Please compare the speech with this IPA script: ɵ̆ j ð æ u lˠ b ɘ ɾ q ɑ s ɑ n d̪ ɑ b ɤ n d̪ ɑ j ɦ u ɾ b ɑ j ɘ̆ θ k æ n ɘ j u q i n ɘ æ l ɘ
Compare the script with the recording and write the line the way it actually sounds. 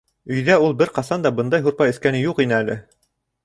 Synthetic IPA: ɵ̆ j ð æ u lˠ b ɘ ɾ q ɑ s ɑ n d̪ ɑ b ɤ n d̪ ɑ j ɦ u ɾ p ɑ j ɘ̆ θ k æ n ɘ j u q i n ɘ æ l ɘ